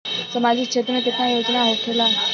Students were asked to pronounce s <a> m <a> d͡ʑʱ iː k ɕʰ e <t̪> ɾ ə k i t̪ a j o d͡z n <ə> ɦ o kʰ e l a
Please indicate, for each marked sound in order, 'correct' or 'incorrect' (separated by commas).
incorrect, correct, correct, incorrect